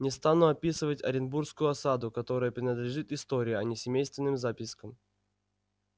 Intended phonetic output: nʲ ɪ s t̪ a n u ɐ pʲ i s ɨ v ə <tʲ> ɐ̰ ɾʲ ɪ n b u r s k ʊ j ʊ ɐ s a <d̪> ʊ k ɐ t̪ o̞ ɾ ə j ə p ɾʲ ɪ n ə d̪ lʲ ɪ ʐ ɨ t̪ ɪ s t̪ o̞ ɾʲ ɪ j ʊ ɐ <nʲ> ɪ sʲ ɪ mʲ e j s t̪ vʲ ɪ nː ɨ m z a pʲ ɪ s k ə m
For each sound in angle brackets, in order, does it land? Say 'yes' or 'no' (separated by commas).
yes, yes, yes